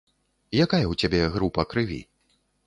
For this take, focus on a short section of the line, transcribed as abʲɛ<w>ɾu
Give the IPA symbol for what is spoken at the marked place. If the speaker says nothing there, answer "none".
ɣ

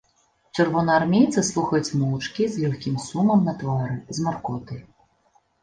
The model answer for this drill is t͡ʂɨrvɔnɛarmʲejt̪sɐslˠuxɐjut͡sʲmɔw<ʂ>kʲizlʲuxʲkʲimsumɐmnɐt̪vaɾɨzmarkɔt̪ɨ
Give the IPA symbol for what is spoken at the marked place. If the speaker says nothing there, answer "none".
t͡ʂ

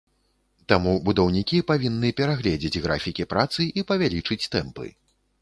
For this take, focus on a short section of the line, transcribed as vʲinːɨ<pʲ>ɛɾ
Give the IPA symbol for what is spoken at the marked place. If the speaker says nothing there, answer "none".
pʲ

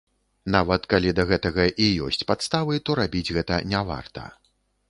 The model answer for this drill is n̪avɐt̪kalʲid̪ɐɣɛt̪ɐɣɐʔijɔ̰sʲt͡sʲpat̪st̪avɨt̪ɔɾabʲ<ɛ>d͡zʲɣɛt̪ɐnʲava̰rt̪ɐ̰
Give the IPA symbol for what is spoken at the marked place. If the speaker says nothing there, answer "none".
i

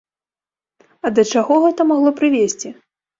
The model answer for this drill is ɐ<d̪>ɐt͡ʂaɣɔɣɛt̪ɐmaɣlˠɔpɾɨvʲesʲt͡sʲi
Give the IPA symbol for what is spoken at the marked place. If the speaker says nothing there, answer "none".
d̪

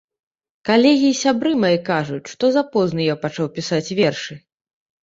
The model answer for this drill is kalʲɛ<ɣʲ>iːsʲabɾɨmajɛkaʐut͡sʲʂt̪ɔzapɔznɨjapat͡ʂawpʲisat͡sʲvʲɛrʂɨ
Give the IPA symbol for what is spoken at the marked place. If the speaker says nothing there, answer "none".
ɣʲ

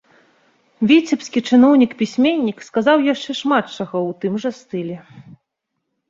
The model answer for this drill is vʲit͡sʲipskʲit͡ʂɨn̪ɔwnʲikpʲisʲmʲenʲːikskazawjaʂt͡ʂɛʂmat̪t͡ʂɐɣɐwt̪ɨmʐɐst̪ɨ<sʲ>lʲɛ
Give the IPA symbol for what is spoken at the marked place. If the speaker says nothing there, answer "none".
none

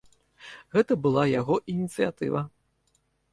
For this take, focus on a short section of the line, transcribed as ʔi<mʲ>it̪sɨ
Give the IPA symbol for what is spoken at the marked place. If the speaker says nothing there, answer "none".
nʲ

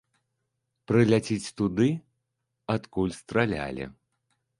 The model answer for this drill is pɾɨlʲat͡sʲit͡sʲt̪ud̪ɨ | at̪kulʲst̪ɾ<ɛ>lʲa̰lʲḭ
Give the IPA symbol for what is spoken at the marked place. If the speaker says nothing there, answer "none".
a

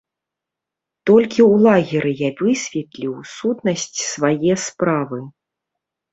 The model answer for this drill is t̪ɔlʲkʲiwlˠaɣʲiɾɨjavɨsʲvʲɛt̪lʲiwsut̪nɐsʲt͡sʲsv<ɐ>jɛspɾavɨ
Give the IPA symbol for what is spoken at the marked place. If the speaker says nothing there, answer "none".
a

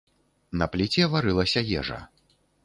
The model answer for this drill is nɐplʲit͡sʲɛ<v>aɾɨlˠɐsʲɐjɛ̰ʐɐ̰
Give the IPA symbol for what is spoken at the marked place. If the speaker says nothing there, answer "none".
v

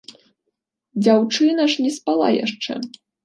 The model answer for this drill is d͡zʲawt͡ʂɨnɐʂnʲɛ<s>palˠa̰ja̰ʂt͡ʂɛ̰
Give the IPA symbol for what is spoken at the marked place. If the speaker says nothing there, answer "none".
s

